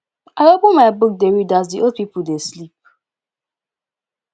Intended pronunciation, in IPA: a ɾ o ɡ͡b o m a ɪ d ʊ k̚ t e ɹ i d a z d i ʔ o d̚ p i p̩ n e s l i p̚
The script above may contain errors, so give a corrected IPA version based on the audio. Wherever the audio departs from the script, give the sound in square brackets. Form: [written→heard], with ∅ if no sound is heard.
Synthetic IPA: a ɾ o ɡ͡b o m a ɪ [d→b] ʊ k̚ [t→d] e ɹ i d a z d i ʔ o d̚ p i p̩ [n→d] e s l i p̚